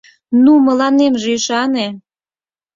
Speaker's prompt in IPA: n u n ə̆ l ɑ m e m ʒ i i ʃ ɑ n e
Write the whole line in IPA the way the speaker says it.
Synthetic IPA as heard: n u m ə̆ l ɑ n e m ʒ e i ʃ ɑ n e